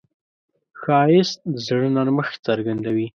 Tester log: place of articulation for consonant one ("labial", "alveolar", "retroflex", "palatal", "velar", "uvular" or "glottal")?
velar